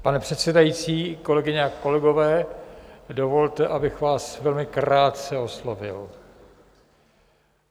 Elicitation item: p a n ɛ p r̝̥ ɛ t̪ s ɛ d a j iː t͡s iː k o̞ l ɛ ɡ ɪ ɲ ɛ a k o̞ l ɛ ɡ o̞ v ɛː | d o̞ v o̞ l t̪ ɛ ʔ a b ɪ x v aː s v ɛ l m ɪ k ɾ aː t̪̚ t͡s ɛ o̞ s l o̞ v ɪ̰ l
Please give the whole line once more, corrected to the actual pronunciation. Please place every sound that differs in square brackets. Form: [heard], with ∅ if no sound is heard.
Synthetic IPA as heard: p a n ɛ p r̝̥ ɛ t̪ s ɛ d a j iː t͡s iː k o̞ l ɛ ɡ ɪ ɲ ɛ a k o̞ l ɛ ɡ o̞ v ɛː | d o̞ v o̞ l t̪ ɛ ʔ a b ɪ x v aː s v ɛ l m ɪ k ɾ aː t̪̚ t͡s ɛ o̞ s l o̞ v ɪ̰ l